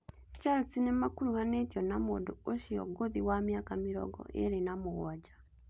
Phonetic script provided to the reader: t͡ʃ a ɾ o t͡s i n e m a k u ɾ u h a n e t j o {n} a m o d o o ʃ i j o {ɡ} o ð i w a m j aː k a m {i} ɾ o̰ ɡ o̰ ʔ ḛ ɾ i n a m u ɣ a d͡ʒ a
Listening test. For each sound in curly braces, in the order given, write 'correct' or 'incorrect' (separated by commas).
correct, correct, correct